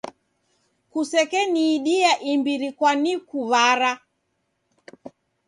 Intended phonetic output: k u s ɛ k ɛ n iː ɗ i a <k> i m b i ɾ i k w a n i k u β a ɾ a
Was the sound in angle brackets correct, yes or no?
no